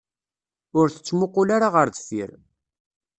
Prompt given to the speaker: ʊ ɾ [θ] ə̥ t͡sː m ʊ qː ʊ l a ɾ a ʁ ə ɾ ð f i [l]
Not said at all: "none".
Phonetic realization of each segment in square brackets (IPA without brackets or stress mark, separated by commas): θ, ɾ